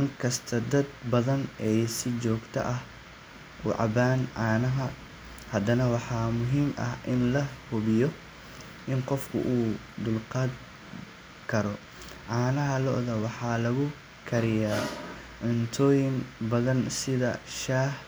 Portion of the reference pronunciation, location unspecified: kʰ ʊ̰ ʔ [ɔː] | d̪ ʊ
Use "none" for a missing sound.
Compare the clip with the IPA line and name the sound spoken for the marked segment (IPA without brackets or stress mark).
uː